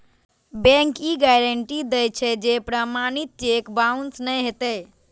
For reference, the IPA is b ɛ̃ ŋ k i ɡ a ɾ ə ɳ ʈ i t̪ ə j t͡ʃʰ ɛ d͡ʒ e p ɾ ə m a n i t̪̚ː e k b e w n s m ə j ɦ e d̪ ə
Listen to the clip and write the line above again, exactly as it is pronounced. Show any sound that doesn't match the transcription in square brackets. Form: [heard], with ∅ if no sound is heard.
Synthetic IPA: b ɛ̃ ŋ k i ɡ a ɾ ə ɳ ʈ i [d̪] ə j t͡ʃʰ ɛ d͡ʒ e p ɾ ə m a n i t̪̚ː e k b [a] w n s [n] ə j ɦ e [t̪] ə